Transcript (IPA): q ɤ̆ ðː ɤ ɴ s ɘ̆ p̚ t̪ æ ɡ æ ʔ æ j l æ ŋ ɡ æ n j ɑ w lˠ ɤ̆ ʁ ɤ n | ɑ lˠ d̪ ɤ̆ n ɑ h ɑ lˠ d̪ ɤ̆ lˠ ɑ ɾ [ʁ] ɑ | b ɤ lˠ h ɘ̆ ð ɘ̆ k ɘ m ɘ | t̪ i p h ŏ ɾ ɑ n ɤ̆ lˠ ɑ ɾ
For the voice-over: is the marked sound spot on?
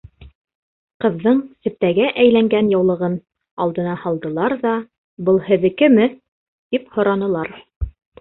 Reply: no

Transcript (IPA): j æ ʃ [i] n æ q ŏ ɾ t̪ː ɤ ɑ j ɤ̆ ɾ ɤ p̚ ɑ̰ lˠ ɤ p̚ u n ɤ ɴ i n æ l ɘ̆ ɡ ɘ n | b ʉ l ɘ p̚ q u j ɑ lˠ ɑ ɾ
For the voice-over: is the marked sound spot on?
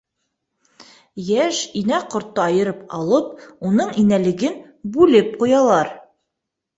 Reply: yes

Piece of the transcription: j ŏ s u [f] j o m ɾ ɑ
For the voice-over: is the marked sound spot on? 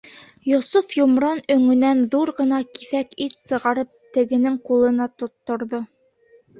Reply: yes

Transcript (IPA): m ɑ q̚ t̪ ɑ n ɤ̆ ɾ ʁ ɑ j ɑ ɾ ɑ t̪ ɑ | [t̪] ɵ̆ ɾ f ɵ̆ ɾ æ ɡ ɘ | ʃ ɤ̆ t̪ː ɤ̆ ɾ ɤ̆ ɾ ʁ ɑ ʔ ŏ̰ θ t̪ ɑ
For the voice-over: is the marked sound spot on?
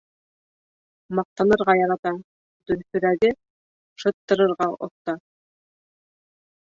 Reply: no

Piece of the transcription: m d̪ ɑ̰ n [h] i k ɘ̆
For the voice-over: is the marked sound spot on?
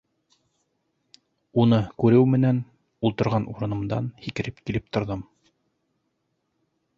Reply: yes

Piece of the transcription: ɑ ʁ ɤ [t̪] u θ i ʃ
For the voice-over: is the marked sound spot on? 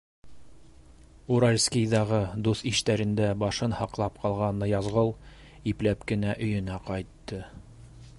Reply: no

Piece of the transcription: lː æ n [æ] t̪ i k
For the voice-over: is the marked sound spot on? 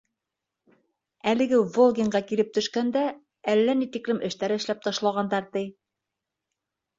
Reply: no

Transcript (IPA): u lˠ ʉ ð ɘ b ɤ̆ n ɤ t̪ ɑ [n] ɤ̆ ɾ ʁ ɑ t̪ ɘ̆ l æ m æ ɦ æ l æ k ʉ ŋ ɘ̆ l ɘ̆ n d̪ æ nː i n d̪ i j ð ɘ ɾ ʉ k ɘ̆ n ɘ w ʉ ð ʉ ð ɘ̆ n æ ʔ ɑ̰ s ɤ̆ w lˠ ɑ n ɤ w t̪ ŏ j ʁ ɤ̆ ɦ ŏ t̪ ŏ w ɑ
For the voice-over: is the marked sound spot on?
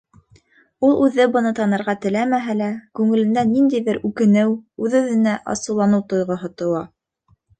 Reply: yes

